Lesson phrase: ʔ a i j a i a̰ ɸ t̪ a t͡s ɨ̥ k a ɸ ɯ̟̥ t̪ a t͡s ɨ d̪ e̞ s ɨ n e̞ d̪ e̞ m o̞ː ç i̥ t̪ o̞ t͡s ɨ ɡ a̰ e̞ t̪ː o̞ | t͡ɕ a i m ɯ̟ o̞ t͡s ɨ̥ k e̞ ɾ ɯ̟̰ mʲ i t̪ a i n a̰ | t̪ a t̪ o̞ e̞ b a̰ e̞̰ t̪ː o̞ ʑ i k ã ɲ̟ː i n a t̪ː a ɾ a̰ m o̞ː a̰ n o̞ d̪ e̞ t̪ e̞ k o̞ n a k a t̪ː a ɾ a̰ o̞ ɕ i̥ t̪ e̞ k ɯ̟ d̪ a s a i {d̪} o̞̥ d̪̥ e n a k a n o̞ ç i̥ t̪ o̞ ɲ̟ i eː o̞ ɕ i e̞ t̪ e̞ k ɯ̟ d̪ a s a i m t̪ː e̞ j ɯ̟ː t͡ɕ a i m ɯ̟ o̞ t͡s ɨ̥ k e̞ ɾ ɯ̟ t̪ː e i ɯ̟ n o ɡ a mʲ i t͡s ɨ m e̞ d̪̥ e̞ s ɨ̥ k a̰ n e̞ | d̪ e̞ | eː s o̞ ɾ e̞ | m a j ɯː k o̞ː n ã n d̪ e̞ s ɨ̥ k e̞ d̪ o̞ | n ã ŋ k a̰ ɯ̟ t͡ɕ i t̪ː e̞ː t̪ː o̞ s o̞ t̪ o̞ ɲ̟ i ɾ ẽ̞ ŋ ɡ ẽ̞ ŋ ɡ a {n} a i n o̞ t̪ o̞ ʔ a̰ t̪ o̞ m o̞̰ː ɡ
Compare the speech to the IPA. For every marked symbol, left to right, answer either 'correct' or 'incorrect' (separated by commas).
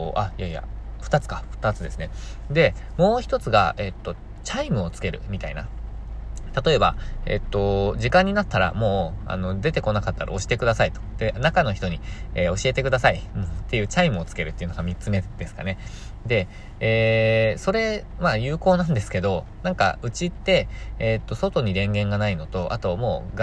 incorrect, correct